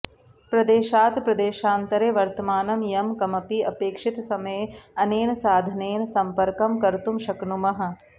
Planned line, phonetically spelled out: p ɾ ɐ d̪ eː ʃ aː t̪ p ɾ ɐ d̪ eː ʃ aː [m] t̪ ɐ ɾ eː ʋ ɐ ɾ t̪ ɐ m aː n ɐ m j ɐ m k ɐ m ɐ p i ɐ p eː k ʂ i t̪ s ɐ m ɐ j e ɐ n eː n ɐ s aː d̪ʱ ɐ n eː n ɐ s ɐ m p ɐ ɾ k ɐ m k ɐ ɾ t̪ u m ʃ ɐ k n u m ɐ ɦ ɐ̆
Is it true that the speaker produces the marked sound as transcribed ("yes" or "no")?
no